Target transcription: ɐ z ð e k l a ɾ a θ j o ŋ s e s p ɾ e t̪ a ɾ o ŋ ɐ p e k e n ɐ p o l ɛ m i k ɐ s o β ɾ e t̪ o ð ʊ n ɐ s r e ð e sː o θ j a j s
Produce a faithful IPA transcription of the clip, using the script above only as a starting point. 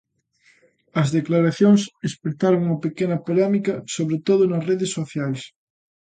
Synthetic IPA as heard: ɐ z ð e k l a ɾ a θ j o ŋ s e s p ɾ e t̪ a ɾ o ŋ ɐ p e k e n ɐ p o l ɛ m i k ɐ s o β ɾ e t̪ o ð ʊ n ɐ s r e ð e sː o θ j a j s

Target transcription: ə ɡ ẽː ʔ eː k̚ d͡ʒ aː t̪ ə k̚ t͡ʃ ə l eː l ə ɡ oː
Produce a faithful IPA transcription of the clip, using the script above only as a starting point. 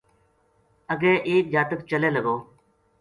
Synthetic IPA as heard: ə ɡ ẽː ʔ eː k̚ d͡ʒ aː t̪ ə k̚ t͡ʃ ə l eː l ə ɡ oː

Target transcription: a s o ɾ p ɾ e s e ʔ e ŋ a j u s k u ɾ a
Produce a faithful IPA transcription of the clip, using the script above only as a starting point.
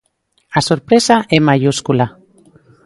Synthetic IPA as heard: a s o ɾ p ɾ e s a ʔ e m a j u s k u l a

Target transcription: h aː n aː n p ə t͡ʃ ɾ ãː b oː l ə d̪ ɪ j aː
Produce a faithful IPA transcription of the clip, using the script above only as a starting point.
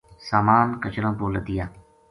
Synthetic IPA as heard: s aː m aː n k ə t͡ʃ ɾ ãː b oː l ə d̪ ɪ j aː

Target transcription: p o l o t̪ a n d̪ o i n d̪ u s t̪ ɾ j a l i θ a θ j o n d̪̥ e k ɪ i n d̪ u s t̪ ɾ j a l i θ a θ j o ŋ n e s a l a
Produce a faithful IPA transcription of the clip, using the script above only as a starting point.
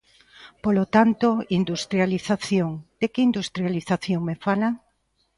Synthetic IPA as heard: p o l o t̪ a n t̪ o i n d̪ u s t̪ ɾ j a l i θ a θ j o ŋ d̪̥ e k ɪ i n d̪ u s t̪ ɾ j a l i θ a θ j o ŋ m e f a l a

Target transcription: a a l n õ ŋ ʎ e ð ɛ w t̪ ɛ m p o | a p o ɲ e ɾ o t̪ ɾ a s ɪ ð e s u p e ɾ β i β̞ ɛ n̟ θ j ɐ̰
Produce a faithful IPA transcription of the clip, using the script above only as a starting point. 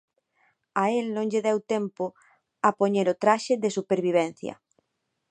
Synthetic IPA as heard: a e l n õ ŋ ʎ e ð ɛ w t̪ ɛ m p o | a p o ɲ e ɾ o t̪ ɾ a ʃ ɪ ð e s u p e ɾ β i β̞ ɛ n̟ θ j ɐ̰

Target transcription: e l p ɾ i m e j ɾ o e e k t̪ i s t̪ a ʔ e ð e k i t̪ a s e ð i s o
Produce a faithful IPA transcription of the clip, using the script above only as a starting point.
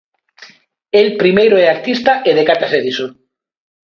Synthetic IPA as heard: e l p ɾ i m e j ɾ o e a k t̪ i s t̪ a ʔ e ð e k a t̪ a s e ð i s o

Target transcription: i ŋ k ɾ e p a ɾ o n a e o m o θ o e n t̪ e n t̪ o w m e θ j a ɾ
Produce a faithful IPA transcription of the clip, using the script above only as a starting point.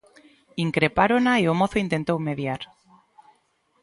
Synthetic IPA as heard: i ŋ k ɾ e p a ɾ o n a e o m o θ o i n t̪ e n t̪ o w m e ð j a ɾ

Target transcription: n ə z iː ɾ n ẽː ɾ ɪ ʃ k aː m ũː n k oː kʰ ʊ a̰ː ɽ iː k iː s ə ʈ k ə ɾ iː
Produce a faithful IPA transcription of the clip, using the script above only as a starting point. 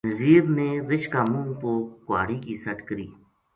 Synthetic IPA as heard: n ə z iː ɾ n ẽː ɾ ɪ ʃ k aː m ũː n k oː k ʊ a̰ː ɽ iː k iː s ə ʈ k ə ɾ iː

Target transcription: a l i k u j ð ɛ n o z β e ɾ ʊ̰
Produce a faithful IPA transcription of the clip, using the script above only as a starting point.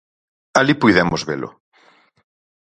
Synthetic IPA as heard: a l i p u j ð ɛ m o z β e l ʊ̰

